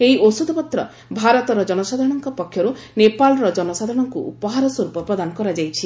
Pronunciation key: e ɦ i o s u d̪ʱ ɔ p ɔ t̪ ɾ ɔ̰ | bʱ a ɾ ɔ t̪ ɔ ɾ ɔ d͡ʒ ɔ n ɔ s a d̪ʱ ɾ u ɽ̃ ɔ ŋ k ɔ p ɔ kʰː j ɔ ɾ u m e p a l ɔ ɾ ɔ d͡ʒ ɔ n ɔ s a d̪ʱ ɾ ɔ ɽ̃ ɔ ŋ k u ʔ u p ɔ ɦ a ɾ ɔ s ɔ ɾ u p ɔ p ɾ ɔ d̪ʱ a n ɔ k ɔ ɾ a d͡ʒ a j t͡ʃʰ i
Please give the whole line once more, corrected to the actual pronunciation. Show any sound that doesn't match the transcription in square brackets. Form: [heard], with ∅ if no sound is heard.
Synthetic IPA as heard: e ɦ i o s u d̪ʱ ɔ p ɔ t̪ ɾ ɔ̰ | bʱ a ɾ ɔ t̪ ɔ ɾ ɔ d͡ʒ ɔ n ɔ s a d̪ʱ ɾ [ɔ] ɽ̃ ɔ ŋ k ɔ p ɔ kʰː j ɔ ɾ u [n] e p a l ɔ ɾ ɔ d͡ʒ ɔ n ɔ s a d̪ʱ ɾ ɔ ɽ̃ ɔ ŋ k u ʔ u p ɔ ɦ a ɾ ɔ s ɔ ɾ u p ɔ p ɾ ɔ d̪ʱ a n ɔ k ɔ ɾ a d͡ʒ a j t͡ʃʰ i

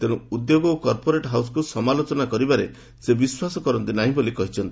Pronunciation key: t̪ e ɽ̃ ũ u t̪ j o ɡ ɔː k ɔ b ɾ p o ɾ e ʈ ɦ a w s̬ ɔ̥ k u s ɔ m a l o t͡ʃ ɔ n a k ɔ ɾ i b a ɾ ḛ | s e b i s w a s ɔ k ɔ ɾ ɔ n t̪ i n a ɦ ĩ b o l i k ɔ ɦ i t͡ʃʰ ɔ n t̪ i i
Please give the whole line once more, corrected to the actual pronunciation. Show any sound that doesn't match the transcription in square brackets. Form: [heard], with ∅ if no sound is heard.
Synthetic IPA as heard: t̪ e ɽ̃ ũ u [d̪] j o ɡ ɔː k ɔ [∅] ɾ p o ɾ e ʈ ɦ a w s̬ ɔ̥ k u s ɔ m a l o t͡ʃ ɔ n a k ɔ ɾ i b a ɾ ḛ | s e b i s w a s ɔ k ɔ ɾ ɔ n t̪ i n a ɦ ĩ b o l i k ɔ ɦ i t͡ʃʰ ɔ n t̪ i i

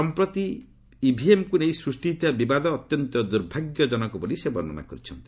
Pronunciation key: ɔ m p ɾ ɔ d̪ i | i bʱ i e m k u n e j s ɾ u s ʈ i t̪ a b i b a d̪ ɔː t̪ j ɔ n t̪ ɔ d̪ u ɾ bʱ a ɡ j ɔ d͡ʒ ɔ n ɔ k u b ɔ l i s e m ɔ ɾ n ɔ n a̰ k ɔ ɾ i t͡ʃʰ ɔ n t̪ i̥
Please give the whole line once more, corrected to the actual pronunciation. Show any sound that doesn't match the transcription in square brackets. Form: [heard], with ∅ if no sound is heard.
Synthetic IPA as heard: ɔ m p ɾ ɔ [t̪] i | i bʱ i e m k u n e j s ɾ u s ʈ i t̪ a b i b a d̪ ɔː t̪ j ɔ n t̪ ɔ d̪ u ɾ bʱ a ɡ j ɔ d͡ʒ ɔ n ɔ k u b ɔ l i s e [b] ɔ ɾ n ɔ n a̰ k ɔ ɾ i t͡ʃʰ ɔ n t̪ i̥

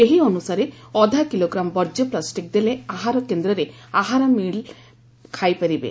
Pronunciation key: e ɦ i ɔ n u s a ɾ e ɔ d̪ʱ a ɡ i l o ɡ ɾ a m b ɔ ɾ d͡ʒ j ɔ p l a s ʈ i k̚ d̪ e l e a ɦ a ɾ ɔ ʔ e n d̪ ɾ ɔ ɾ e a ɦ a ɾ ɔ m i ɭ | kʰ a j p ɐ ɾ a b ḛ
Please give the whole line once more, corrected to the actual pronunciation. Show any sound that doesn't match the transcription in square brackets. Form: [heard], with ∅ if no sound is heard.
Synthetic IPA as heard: e ɦ i ɔ n u s a ɾ e ɔ d̪ʱ a [k] i l o ɡ ɾ a m b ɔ ɾ d͡ʒ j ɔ p l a s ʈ i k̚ d̪ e l e a ɦ a ɾ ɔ [k] e n d̪ ɾ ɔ ɾ e a ɦ a ɾ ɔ m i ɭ | kʰ a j p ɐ ɾ [i] b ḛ

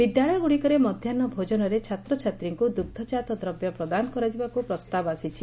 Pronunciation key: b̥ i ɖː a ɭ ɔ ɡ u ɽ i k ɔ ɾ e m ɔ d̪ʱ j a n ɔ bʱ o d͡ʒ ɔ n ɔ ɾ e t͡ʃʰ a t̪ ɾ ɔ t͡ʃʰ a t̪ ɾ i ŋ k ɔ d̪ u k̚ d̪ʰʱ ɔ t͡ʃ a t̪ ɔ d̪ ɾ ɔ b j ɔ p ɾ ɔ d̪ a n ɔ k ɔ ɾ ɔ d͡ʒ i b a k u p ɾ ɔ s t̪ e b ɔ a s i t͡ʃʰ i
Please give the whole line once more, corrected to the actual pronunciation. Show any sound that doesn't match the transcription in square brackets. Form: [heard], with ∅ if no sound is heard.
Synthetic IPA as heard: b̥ i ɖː a ɭ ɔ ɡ u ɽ i k ɔ ɾ e m ɔ d̪ʱ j a n ɔ bʱ o d͡ʒ ɔ n ɔ ɾ e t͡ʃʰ a t̪ ɾ ɔ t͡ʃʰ a t̪ ɾ i ŋ k [u] d̪ u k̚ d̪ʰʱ ɔ t͡ʃ a t̪ ɔ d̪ ɾ ɔ b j ɔ p ɾ ɔ d̪ a n ɔ k ɔ ɾ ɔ d͡ʒ i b a k u p ɾ ɔ s t̪ [a] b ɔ a s i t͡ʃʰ i

